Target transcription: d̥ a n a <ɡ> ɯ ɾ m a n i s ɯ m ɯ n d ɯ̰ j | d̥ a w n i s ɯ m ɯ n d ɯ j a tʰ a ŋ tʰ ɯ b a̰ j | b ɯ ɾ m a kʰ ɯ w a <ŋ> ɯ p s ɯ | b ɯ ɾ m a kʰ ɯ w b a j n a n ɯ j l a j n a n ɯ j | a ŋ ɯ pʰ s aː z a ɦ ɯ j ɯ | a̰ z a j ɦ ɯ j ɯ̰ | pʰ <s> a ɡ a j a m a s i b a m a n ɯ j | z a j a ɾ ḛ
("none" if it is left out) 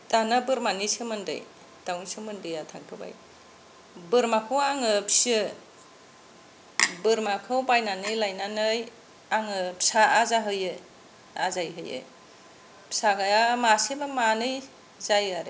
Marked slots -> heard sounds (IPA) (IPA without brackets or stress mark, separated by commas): b, ŋ, s